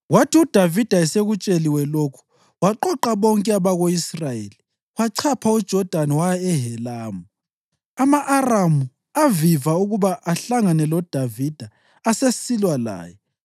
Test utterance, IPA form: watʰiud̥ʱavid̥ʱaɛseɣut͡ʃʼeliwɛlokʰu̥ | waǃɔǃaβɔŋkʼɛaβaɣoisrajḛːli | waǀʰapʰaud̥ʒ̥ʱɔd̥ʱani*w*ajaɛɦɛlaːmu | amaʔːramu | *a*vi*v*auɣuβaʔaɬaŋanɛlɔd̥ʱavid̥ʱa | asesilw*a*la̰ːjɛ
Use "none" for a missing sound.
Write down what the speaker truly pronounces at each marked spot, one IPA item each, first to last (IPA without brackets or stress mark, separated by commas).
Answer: w, a, v, a